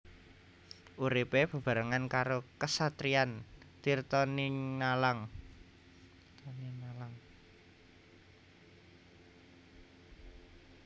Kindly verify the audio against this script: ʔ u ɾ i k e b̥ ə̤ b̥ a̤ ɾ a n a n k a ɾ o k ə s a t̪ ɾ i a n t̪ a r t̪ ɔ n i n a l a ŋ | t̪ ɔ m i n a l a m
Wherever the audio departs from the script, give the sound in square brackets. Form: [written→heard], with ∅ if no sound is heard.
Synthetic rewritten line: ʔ u ɾ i [k→p] e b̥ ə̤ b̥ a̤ ɾ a [n→ŋ] a n k a ɾ o k ə s a t̪ ɾ i a n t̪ [a→i] r t̪ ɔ n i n a l a ŋ | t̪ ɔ [m→n] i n a l a [m→ŋ]